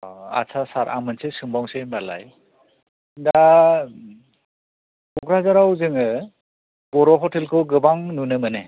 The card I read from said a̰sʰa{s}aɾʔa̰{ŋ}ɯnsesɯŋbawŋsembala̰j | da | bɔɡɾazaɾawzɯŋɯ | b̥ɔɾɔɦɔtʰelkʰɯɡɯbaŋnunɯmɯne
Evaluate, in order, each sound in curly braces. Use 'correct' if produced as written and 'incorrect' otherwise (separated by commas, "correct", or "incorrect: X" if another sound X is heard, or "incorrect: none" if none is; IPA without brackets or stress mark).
correct, incorrect: m